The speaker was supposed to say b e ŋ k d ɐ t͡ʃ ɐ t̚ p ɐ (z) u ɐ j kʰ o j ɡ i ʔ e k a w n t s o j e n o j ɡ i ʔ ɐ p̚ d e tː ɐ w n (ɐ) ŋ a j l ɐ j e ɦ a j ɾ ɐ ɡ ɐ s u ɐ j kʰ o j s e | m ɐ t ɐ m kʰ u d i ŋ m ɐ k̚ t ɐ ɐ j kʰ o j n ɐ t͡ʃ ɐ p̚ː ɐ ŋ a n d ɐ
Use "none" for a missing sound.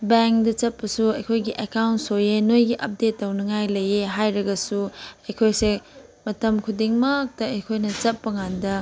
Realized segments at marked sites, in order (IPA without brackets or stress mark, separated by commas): s, ɐ